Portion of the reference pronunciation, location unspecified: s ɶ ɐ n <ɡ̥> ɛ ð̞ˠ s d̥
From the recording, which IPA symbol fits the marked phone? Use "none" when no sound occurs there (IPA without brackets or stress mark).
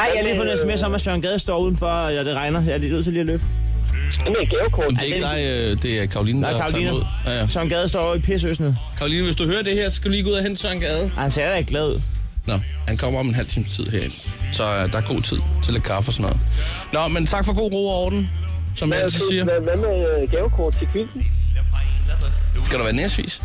ɡ̥